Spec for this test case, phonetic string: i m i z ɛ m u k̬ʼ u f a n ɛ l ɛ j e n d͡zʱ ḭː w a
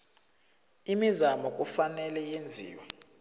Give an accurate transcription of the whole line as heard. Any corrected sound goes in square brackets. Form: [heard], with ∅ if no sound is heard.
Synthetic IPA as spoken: i m i z [a] m [ɔ] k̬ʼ u f a n ɛ l ɛ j e n d͡zʱ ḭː w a

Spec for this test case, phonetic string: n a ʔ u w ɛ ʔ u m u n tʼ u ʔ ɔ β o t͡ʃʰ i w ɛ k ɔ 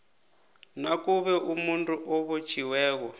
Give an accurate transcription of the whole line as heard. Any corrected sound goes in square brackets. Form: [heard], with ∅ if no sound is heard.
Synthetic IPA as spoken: n a [k] u [β] ɛ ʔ u m u n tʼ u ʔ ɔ β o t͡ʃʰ i w [ɛː] k ɔ

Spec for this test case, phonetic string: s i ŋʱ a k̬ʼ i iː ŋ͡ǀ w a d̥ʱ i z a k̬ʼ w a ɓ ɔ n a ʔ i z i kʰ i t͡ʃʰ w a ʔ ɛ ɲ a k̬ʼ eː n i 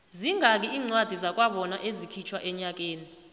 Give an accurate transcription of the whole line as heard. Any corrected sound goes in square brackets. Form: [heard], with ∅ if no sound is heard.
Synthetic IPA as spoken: [z] i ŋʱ a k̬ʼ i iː ŋ͡ǀ w a d̥ʱ i z a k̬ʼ w a ɓ ɔ n a ʔ [e] z i kʰ i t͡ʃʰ w a ʔ ɛ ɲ a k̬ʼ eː n i

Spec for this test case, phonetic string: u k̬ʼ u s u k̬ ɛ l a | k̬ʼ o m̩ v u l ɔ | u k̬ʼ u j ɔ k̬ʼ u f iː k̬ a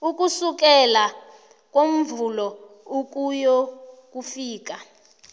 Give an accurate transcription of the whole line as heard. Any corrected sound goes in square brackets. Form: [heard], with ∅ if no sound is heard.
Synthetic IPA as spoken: u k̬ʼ u s u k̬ ɛ l a | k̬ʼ o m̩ v u l ɔ | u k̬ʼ u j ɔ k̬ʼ u f iː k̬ a

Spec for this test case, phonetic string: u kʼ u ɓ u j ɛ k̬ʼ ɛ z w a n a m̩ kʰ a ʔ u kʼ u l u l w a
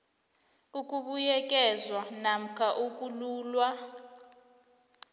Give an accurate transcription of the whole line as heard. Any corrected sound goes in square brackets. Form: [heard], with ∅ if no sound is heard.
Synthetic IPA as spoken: u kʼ u ɓ u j ɛ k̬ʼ ɛ z w a n a m̩ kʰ a ʔ u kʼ u l [uː] l w a

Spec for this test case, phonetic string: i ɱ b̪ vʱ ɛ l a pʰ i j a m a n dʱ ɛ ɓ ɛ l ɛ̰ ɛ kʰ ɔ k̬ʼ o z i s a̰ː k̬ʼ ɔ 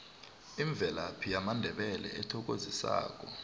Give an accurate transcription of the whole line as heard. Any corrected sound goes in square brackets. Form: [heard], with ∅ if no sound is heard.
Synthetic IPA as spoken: i ɱ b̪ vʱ ɛ l a pʰ i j a m a n dʱ ɛ ɓ ɛ l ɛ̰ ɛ [tʰ] ɔ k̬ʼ o z i s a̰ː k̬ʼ ɔ

